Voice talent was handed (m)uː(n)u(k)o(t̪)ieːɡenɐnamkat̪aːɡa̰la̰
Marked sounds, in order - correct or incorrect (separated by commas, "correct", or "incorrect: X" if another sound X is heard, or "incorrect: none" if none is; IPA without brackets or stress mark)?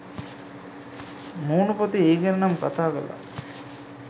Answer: correct, correct, incorrect: p, correct